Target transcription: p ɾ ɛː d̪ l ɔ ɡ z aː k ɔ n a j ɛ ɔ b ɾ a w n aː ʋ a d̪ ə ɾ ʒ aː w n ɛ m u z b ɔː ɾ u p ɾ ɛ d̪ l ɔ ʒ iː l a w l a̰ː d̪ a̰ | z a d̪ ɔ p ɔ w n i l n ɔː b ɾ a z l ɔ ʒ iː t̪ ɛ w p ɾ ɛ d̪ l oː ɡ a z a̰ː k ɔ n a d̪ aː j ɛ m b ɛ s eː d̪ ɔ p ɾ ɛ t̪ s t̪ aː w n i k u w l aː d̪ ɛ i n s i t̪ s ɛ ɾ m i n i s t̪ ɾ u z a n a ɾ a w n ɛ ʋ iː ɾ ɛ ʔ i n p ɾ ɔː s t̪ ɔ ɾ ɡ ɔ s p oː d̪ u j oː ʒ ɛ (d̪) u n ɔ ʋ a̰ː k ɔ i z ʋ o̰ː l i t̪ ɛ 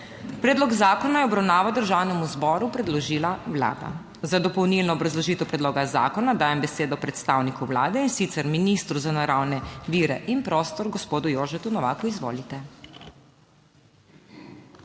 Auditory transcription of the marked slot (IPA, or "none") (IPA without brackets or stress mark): t̪